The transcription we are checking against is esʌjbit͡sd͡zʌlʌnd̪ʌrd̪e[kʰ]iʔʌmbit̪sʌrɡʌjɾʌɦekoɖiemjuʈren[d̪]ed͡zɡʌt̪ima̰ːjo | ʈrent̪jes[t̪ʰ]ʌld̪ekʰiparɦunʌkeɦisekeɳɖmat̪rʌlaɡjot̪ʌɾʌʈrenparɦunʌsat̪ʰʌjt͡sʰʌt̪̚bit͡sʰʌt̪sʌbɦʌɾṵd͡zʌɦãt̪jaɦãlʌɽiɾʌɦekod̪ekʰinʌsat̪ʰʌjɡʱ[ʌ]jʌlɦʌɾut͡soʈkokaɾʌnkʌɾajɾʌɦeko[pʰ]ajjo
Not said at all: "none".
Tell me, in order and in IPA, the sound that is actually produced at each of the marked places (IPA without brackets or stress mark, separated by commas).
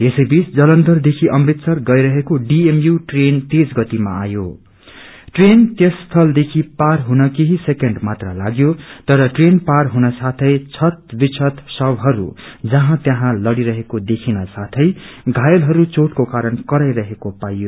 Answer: kʰ, t̪, t̪ʰ, a, p